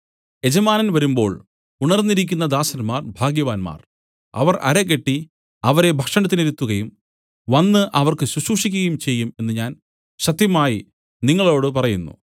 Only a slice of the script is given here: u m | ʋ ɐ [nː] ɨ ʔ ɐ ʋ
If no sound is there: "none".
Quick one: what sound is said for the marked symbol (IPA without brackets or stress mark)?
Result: nː